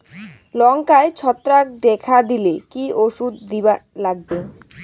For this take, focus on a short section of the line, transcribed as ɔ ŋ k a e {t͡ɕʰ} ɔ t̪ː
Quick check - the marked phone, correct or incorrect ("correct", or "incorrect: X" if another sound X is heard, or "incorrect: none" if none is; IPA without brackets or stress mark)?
correct